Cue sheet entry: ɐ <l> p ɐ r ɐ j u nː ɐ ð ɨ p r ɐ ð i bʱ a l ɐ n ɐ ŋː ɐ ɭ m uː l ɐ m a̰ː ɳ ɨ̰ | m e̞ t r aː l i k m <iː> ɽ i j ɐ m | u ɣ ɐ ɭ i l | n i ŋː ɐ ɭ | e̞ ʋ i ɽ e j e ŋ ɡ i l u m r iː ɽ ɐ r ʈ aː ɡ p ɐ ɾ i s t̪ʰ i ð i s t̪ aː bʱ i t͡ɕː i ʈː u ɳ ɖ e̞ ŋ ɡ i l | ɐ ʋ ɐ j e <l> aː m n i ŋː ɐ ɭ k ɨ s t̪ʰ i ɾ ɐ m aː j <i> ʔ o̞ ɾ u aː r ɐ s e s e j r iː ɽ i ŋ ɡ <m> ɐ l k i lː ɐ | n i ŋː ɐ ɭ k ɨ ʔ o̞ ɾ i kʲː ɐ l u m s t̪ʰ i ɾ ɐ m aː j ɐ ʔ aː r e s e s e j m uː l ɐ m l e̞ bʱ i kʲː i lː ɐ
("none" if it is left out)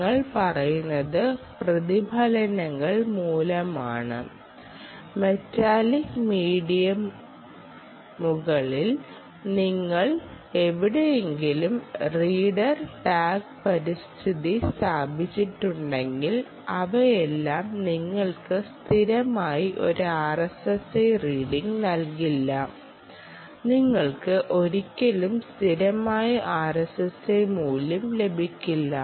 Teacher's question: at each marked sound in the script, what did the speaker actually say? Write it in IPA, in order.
ɭ, iː, lː, i, n

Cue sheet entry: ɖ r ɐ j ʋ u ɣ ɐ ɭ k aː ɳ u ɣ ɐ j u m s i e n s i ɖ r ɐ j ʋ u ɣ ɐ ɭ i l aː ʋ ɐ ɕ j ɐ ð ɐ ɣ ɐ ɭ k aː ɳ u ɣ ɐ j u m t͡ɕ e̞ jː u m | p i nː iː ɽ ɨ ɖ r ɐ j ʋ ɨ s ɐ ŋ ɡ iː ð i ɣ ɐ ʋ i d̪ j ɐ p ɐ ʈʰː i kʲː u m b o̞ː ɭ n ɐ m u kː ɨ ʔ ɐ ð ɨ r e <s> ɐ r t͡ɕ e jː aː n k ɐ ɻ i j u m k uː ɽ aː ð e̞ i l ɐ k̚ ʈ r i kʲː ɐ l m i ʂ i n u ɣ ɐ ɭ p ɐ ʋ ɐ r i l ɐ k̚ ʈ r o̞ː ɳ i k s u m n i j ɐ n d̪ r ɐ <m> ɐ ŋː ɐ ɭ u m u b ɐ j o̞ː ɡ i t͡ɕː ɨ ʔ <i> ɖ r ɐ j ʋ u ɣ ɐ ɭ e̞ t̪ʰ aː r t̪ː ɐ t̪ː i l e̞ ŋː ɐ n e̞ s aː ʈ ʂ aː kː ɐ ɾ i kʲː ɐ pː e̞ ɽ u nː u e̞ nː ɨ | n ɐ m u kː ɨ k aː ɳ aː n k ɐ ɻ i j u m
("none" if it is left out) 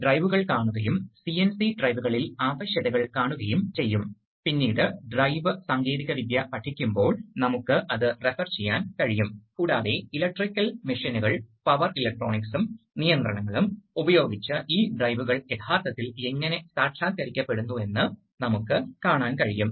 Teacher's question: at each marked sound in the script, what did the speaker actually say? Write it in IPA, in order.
f, ɳ, iː

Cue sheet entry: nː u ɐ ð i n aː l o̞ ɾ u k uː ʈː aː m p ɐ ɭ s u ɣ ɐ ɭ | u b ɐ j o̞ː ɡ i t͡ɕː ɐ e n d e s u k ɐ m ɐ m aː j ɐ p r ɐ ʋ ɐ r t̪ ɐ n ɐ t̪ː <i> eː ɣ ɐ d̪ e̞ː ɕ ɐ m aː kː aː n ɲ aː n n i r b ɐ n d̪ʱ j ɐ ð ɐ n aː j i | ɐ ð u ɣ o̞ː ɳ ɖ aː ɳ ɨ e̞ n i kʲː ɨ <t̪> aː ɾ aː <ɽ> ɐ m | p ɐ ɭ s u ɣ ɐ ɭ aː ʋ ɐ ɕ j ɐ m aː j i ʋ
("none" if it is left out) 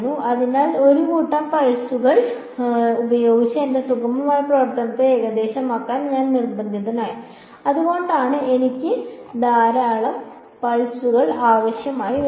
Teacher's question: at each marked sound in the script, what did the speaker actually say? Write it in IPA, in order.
e, d̪, ɭ

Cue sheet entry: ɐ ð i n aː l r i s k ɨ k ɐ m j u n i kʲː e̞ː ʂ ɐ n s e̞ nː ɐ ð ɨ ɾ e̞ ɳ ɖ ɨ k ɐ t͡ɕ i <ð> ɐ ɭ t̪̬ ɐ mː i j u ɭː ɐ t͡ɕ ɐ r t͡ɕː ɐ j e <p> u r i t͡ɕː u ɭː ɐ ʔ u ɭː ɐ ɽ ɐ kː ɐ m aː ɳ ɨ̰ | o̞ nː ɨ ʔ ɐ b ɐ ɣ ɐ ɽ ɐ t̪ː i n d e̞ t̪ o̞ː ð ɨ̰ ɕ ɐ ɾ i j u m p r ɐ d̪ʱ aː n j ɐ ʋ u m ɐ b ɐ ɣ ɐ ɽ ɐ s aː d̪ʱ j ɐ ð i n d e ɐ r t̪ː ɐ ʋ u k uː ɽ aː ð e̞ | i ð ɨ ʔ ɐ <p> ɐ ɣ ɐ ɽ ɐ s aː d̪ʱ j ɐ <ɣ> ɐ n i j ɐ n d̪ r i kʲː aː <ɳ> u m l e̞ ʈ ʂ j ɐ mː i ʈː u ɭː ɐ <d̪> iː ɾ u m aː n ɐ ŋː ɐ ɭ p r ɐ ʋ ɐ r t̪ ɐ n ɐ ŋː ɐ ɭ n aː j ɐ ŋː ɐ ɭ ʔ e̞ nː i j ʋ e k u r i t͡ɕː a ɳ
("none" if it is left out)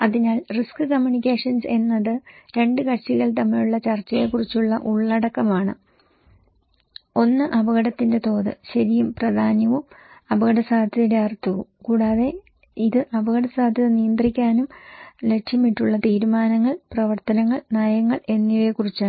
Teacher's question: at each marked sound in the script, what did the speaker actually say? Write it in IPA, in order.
ɣ, k, b, ð, n, t̪

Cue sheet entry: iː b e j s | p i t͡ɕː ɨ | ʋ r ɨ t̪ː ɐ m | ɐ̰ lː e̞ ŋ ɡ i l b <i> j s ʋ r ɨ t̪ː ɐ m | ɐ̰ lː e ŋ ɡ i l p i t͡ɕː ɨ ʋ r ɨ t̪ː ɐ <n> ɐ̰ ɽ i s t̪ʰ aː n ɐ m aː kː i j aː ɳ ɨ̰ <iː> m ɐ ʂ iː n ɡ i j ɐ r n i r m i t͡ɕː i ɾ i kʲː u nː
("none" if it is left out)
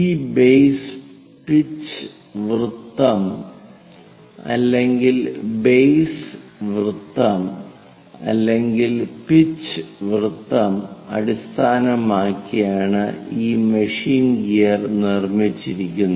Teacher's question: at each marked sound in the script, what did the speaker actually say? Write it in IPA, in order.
e, m, iː

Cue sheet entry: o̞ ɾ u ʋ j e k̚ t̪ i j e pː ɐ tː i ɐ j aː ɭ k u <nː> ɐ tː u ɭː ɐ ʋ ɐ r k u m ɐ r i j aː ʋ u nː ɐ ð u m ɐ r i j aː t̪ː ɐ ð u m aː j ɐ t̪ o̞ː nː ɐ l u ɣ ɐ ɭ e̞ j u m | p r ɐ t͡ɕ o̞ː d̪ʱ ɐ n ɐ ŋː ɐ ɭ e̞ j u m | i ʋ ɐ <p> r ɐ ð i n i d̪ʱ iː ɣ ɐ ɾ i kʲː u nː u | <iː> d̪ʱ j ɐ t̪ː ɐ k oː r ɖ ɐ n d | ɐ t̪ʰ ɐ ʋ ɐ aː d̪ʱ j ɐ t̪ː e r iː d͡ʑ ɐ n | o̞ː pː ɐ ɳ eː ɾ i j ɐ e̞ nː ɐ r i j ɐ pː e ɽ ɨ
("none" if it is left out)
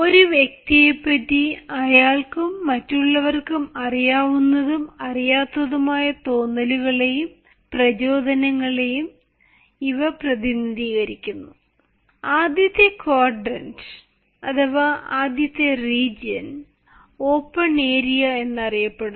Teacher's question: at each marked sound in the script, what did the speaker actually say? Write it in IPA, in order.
mː, p, aː

